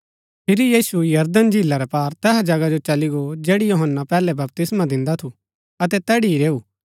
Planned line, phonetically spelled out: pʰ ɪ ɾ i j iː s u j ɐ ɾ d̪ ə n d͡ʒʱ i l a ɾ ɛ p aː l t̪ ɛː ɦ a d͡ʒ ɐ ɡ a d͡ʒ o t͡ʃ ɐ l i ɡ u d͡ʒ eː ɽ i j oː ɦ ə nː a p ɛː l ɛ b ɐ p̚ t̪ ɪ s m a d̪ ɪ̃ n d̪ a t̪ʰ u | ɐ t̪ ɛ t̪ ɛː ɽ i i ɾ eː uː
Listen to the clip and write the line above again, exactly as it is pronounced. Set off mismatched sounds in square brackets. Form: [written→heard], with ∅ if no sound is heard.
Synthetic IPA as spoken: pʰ ɪ ɾ i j iː s u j ɐ ɾ d̪ ə n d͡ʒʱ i l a ɾ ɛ p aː [l→ɾ] t̪ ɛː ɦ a d͡ʒ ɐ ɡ a d͡ʒ o t͡ʃ ɐ l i ɡ [u→o] d͡ʒ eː ɽ i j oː ɦ ə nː a p ɛː l ɛ b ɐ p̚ t̪ ɪ s m a d̪ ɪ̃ n d̪ a t̪ʰ u | ɐ t̪ ɛ t̪ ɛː ɽ i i ɾ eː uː